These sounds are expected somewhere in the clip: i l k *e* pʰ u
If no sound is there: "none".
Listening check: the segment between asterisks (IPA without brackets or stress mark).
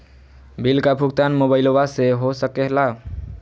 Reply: a